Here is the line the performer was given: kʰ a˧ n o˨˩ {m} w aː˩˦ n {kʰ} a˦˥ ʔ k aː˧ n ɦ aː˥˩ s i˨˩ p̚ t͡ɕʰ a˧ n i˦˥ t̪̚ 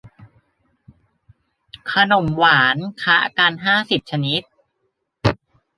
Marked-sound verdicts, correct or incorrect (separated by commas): correct, correct